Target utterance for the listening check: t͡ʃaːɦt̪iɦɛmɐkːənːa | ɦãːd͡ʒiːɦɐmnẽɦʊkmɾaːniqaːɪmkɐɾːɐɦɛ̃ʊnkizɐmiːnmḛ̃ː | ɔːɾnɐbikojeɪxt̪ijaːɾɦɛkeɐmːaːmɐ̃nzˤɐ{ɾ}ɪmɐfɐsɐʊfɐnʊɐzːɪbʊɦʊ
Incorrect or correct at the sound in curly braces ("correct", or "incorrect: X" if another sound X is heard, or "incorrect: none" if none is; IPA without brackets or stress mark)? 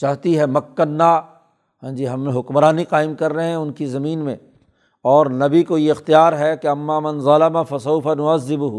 incorrect: l